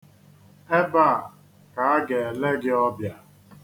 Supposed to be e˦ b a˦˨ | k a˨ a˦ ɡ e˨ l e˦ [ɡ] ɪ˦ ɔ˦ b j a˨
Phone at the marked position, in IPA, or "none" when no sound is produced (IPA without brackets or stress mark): ɡ